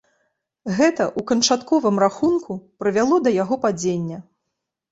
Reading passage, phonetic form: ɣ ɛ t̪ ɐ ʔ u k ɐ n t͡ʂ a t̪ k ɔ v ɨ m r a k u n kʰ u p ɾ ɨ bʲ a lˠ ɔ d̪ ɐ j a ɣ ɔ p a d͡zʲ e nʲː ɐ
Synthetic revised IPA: ɣ ɛ t̪ ɐ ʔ u k ɐ n t͡ʂ a t̪ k ɔ v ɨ m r a x u n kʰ u p ɾ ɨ vʲ a lˠ ɔ d̪ ɐ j a ɣ ɔ p a d͡zʲ e nʲː ɐ